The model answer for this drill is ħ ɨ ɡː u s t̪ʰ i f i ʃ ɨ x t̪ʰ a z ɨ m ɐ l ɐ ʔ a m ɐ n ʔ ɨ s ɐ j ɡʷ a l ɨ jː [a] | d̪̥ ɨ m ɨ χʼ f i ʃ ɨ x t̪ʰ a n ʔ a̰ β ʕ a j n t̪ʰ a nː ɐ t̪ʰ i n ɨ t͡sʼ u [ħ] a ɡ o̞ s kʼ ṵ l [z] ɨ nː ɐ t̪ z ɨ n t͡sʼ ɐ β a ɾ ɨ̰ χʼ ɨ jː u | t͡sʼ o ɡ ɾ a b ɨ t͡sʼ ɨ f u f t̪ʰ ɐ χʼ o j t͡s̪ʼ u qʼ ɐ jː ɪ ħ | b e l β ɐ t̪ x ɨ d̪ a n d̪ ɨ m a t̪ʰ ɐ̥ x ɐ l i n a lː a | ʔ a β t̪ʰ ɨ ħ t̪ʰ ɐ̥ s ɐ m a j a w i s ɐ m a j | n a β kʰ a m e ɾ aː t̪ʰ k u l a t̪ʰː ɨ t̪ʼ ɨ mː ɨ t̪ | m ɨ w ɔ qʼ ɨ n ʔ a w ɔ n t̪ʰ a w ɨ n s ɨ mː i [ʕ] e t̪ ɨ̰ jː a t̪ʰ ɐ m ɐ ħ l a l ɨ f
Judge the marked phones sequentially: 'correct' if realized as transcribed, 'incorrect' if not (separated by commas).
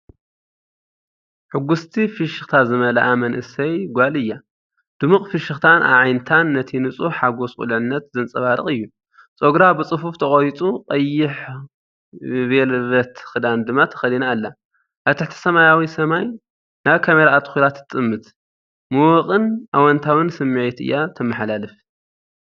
correct, correct, incorrect, correct